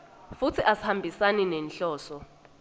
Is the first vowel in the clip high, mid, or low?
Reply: high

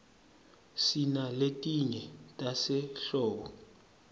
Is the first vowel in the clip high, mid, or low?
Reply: high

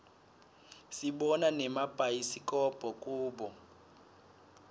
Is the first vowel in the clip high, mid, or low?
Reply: high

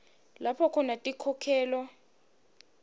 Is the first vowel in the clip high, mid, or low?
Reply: low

